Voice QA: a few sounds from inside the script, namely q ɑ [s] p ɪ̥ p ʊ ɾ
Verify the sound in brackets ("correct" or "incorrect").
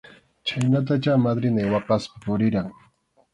correct